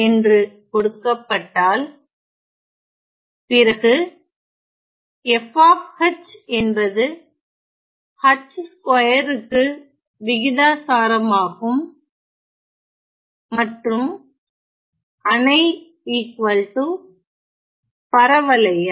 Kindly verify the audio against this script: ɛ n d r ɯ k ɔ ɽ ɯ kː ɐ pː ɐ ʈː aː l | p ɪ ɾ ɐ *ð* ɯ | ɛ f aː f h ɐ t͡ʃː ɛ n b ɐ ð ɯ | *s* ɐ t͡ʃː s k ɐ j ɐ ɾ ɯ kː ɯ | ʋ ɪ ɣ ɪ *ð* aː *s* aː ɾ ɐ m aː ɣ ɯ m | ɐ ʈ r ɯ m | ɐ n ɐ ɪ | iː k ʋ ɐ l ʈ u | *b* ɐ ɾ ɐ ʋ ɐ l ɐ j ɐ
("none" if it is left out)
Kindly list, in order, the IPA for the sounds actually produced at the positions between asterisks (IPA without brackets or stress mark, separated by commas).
ɣ, h, ð, s, p